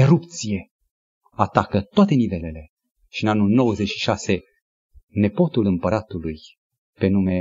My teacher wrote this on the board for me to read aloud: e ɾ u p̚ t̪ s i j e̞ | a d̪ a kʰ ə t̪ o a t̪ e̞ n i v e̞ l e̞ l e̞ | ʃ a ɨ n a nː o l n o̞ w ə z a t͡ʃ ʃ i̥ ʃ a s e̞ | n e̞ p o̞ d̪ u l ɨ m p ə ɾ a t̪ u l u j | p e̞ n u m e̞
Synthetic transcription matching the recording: e ɾ u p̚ t̪ s i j e̞ | a t̪ a k ə t̪ o a t̪ e̞ n i v e̞ l e̞ l e̞ | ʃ i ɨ n a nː u l n o̞ w ə z e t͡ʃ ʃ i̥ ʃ a s e̞ | n e̞ p o̞ t̪ u l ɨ m p ə ɾ a t̪ u l u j | p e̞ n u m e̞